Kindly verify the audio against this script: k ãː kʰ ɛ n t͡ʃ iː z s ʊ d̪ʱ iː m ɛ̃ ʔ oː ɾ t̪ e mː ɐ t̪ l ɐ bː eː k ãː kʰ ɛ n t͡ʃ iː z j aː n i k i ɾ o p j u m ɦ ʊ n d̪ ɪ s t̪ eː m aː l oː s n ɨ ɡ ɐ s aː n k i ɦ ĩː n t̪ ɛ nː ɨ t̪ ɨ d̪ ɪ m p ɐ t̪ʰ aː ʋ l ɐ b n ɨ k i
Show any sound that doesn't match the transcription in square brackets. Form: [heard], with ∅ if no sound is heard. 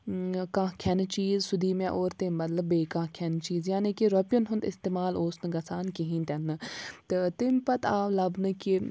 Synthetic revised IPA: k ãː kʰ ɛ n t͡ʃ iː z s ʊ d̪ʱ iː m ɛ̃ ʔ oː ɾ t̪ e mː ɐ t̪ l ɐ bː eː k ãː kʰ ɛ n t͡ʃ iː z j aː n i k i ɾ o p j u [n] ɦ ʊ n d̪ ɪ s t̪ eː m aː l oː s n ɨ ɡ ɐ s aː n k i ɦ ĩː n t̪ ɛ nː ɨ t̪ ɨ [t̪] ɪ m p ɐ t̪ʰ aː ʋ l ɐ b n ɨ k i